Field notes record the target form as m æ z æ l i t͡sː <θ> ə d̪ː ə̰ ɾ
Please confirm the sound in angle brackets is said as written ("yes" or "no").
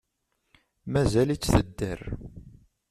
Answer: yes